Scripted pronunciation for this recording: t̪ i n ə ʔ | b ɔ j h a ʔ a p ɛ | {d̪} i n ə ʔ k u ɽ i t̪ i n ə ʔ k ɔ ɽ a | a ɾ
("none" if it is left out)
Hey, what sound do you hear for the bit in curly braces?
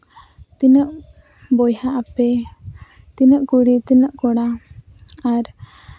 t̪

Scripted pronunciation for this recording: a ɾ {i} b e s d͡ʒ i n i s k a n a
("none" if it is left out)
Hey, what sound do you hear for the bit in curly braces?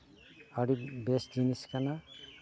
i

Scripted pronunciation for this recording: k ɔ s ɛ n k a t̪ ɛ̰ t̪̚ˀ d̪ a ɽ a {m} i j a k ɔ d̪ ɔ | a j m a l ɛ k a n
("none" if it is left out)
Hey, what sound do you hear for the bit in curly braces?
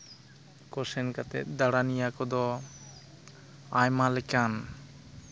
n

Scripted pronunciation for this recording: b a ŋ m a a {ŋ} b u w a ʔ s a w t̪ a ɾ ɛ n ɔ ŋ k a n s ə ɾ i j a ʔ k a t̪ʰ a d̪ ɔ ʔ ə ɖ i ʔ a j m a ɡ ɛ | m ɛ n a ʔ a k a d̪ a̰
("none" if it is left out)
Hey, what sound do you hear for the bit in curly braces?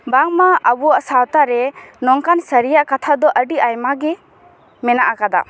none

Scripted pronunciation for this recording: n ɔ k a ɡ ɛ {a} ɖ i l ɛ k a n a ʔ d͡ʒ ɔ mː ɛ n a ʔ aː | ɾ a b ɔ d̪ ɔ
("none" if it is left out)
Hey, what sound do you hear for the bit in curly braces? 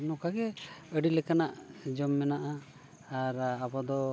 ə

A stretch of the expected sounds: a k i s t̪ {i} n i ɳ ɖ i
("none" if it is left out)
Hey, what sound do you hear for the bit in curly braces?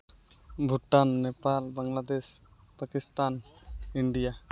a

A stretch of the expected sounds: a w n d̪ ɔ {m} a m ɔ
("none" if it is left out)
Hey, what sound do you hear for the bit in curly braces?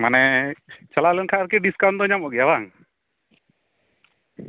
ɲ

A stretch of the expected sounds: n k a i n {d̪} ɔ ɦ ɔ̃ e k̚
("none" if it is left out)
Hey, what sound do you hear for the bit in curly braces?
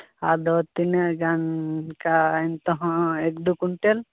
t̪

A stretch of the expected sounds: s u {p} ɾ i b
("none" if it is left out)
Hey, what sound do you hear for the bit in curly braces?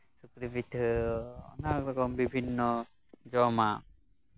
k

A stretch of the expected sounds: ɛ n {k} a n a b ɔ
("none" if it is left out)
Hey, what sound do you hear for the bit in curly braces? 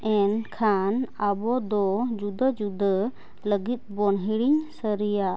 kʰ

